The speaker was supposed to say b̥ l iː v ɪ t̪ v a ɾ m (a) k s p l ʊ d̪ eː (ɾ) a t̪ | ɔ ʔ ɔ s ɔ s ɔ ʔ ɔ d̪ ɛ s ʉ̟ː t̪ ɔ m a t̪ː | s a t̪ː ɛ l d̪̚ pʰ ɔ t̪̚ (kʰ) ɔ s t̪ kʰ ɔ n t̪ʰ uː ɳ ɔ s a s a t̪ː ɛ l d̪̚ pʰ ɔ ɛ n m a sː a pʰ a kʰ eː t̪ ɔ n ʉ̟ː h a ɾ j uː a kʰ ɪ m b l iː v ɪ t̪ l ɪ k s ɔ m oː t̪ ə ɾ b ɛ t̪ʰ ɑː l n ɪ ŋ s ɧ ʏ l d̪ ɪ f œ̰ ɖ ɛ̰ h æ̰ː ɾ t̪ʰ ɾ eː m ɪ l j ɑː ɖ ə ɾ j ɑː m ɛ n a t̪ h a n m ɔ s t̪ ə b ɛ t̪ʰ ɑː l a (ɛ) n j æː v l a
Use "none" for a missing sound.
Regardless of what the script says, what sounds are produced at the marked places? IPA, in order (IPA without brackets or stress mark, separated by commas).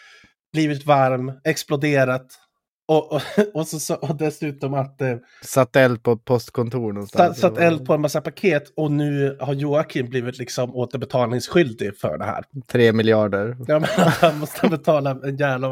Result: ɛ, ɾ, pʰ, ɛ